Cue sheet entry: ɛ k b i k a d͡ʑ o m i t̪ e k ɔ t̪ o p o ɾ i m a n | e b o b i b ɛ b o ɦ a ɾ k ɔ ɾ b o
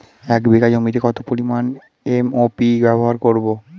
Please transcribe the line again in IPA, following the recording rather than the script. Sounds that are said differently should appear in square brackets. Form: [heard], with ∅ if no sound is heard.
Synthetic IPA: ɛ k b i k a d͡ʑ o m i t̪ e k ɔ t̪ o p o ɾ i m a n | e [m] o [p] i b ɛ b o ɦ a ɾ k [o] ɾ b o